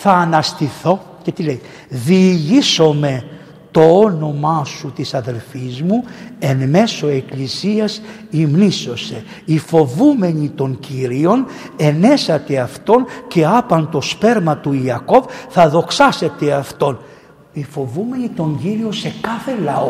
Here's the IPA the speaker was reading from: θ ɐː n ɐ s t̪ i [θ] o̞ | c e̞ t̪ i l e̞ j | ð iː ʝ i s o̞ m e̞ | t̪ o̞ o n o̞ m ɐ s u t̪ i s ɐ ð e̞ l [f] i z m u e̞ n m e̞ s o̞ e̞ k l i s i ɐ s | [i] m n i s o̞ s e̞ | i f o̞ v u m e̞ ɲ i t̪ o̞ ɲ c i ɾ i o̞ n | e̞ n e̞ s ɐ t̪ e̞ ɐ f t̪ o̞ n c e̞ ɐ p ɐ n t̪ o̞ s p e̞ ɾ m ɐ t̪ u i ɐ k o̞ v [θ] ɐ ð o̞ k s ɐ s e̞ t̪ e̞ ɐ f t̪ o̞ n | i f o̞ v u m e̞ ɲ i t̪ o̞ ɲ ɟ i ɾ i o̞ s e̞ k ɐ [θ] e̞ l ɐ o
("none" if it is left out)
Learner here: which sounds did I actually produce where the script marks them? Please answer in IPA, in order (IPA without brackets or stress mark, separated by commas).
θ, f, i, θ, θ